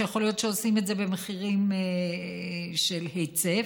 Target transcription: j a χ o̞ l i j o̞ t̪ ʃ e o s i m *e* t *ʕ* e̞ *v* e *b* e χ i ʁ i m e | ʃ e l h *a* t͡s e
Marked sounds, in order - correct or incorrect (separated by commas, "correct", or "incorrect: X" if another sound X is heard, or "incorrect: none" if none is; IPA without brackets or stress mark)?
correct, incorrect: z, incorrect: b, incorrect: m, incorrect: e